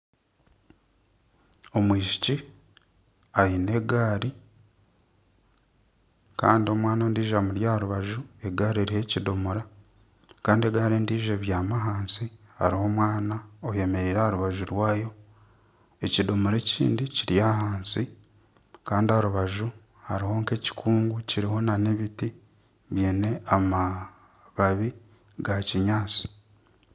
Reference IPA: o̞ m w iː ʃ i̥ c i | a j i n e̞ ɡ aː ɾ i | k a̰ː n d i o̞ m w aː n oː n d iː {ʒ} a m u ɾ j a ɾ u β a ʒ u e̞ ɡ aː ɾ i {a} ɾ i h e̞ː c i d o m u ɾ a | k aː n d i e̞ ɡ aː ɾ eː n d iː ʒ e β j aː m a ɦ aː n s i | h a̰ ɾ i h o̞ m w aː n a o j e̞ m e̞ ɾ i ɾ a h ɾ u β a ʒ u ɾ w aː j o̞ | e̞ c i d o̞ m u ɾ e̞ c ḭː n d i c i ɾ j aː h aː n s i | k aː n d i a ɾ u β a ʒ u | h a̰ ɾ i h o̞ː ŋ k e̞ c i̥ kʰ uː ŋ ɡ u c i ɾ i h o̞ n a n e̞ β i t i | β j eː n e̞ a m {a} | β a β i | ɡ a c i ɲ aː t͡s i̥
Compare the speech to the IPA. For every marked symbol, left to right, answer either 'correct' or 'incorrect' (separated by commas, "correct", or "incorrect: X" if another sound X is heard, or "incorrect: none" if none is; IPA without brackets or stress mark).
correct, incorrect: e, correct